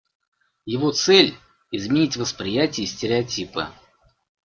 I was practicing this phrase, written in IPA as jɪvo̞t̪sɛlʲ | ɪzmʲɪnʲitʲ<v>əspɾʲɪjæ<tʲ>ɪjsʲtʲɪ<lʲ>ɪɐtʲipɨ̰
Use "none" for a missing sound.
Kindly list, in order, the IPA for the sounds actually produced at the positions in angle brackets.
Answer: v, tʲ, ɾʲ

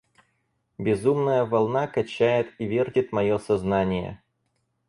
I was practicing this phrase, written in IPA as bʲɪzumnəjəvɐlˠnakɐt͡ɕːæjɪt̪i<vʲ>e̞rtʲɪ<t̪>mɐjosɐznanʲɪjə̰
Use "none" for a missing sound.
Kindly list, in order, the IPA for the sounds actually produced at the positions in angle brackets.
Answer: vʲ, t̪

